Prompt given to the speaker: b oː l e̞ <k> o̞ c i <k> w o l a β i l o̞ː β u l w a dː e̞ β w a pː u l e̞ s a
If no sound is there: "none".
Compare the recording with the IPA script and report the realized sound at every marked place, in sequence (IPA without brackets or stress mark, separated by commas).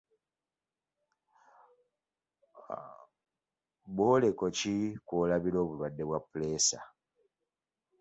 k, k